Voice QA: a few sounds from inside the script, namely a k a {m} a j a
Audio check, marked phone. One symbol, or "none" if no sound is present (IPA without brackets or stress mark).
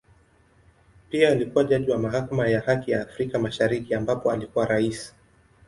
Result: m